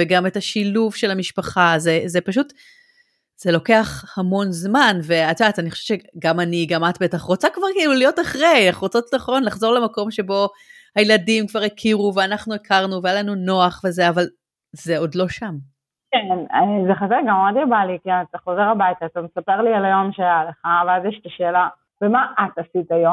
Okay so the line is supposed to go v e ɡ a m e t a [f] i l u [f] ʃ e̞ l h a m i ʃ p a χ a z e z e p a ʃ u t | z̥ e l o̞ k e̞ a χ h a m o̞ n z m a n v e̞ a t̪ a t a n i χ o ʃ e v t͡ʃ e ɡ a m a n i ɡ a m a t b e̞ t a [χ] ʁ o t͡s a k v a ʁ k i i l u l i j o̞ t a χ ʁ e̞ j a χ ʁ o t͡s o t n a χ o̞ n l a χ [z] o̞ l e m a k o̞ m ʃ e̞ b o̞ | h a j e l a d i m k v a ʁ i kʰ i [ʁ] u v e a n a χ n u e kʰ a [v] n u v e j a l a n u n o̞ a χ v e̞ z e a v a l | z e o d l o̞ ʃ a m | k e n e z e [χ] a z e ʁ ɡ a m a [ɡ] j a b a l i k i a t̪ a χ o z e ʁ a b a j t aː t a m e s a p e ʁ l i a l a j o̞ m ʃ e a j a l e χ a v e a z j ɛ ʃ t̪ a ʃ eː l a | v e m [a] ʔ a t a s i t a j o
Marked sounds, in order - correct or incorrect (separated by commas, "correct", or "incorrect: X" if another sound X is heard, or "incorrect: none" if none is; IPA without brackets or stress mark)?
incorrect: ʃ, incorrect: v, correct, correct, correct, incorrect: ʁ, correct, incorrect: d, correct